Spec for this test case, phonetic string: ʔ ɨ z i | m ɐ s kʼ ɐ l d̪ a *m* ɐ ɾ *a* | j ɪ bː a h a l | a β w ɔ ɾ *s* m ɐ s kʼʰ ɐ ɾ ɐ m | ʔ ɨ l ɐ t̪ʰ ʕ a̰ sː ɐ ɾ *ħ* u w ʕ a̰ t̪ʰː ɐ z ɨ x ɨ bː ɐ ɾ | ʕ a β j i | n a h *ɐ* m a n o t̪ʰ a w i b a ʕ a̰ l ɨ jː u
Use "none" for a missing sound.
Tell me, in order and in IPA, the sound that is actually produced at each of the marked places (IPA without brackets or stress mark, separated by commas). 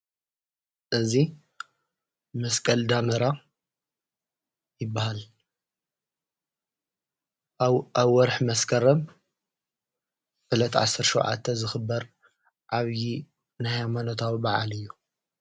m, a, ħ, ʃ, a